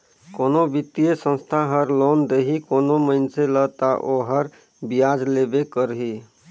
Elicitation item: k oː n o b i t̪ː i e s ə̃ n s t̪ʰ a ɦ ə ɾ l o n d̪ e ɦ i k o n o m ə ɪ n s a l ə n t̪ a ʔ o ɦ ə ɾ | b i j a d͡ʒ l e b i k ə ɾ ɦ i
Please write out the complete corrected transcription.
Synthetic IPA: k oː n o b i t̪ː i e s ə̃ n s t̪ʰ a ɦ ə ɾ l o n d̪ e ɦ i k o n o m ə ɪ n s e l ə t̪ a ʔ o ɦ ə ɾ | b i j a d͡ʒ l e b e k ə ɾ ɦ i